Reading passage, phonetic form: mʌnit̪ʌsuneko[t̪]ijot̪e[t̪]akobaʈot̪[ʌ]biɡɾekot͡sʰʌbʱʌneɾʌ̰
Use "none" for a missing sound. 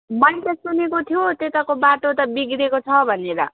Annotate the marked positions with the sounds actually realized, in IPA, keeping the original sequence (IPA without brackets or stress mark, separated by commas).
t̪ʰ, t̪, ʌ